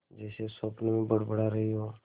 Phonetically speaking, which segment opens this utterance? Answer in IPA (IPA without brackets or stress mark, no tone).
d͡ʒ